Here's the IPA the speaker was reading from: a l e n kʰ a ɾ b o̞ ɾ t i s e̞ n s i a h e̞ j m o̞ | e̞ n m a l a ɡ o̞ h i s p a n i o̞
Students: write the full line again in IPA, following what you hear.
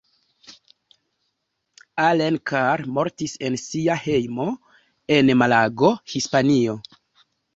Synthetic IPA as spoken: a l e n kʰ a ɾ m o̞ ɾ t i s e̞ n s i a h e̞ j m o̞ | e̞ n m a l a ɡ o̞ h i s p a n i o̞